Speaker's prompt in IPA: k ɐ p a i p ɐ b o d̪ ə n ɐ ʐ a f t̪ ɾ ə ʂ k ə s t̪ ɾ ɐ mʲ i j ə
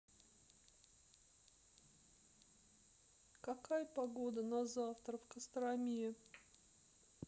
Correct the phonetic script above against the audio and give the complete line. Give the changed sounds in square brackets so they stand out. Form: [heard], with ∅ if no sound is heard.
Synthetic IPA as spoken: k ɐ [k] a [j] p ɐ [ɡ] o d̪ ə n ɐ [z] a f t̪ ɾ ə [f] k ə s t̪ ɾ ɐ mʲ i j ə

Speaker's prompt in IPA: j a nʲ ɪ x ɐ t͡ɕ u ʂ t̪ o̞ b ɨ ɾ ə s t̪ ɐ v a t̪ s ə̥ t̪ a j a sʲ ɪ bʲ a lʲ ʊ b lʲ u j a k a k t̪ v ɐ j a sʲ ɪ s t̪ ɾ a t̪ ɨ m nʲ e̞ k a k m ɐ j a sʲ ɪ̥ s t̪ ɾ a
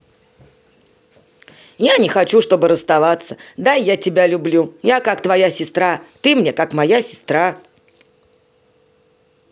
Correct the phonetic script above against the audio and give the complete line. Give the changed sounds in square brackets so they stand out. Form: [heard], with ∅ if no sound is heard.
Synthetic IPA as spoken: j a nʲ ɪ x ɐ t͡ɕ u ʂ t̪ o̞ b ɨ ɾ ə s t̪ ɐ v a t̪ s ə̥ [d̪] a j a [tʲ] ɪ bʲ a lʲ ʊ b lʲ u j a k a k t̪ v ɐ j a sʲ ɪ s t̪ ɾ a t̪ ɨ m nʲ e̞ k a k m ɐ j a sʲ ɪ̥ s t̪ ɾ a

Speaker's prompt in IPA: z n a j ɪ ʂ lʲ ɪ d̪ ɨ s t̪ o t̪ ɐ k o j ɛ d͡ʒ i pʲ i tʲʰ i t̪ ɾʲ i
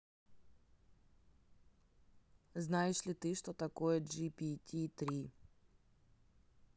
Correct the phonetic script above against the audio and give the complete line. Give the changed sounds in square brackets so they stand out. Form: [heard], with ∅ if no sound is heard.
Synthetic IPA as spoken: z n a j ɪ ʂ lʲ ɪ [t̪] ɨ [ʂ] t̪ o t̪ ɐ k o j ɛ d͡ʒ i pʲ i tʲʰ i t̪ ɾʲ i

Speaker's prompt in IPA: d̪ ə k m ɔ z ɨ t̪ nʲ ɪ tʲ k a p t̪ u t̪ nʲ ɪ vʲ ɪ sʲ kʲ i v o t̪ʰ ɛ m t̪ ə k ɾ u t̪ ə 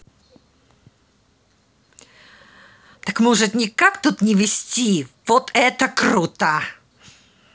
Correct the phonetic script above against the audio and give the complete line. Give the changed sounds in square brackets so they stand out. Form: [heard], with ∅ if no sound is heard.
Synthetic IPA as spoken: [t̪] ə k m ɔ [ʐ] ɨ t̪ nʲ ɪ [∅] k a [k] t̪ u t̪ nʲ ɪ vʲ ɪ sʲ [tʲ] i v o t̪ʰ ɛ [∅] t̪ ə k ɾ u t̪ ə

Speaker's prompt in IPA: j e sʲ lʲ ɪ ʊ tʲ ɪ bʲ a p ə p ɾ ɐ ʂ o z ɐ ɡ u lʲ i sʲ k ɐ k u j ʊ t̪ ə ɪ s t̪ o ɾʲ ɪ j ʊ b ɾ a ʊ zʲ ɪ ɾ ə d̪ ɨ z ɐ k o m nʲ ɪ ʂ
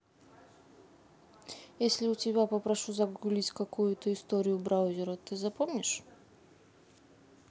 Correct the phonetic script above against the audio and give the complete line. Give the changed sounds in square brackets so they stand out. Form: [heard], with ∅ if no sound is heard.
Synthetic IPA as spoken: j e sʲ lʲ ɪ ʊ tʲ ɪ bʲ a p ə p ɾ ɐ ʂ [u] z ɐ ɡ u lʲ i [tʲ] k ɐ k u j ʊ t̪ ə ɪ s t̪ o ɾʲ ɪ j ʊ b ɾ a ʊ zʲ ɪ ɾ ə [t̪] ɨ z ɐ [p] o m nʲ ɪ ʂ

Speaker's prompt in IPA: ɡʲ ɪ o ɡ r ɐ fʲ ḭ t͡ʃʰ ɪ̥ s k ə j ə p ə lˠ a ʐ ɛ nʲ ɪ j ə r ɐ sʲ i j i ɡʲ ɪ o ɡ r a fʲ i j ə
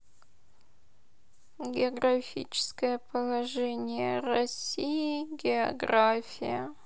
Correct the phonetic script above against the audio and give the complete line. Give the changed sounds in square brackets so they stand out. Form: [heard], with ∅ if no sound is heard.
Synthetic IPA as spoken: ɡʲ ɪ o ɡ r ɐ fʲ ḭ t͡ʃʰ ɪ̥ s k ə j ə p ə lˠ [ɐ] ʐ ɛ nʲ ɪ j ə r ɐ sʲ i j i ɡʲ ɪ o ɡ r a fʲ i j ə

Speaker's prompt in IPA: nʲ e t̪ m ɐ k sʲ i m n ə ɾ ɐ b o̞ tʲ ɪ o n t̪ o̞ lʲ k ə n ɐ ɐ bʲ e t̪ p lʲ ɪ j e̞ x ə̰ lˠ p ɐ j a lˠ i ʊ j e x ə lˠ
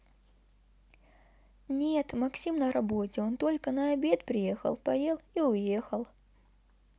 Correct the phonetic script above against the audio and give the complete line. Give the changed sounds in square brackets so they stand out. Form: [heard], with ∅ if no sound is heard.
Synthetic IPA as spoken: nʲ e t̪ m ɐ k sʲ i m n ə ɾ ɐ b o̞ tʲ ɪ o n t̪ o̞ lʲ k ə n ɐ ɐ bʲ e t̪ p [ɾʲ] ɪ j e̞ x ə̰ lˠ p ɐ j [e] lˠ i ʊ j e x ə lˠ

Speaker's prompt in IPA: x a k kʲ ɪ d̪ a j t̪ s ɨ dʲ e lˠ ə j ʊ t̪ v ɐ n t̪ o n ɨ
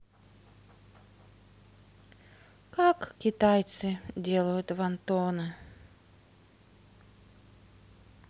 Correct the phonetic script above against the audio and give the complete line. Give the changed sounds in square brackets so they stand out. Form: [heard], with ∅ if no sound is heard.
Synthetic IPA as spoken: [k] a k kʲ ɪ [t̪] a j t̪ s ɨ dʲ e lˠ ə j ʊ t̪ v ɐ n t̪ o n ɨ

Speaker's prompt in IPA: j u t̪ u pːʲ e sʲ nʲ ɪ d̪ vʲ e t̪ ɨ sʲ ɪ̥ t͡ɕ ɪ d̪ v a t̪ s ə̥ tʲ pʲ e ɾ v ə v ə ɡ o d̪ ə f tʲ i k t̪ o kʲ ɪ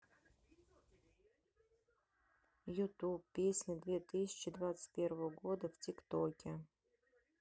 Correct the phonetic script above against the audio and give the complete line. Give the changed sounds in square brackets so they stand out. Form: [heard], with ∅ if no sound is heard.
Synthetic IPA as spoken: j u t̪ u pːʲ e sʲ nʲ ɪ d̪ vʲ e t̪ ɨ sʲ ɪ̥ t͡ɕ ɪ d̪ v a t̪ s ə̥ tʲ pʲ e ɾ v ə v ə ɡ o d̪ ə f tʲ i k t̪ o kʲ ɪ

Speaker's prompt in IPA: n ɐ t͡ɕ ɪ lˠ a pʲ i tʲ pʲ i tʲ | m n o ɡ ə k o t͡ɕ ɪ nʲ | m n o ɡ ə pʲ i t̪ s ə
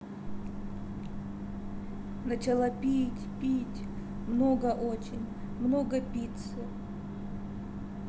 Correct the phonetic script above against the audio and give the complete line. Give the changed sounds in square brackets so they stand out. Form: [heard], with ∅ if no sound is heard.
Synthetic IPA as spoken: n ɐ t͡ɕ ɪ lˠ a pʲ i tʲ pʲ i tʲ | m n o ɡ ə [ʔ] o t͡ɕ ɪ nʲ | m n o ɡ ə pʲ i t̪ s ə

